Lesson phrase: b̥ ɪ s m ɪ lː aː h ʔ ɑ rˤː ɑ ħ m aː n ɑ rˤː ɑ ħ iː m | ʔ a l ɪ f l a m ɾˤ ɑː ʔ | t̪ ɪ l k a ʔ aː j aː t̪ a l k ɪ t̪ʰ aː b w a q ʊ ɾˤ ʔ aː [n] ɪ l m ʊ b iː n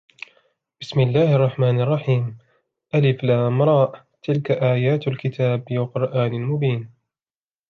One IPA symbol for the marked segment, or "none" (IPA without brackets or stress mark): n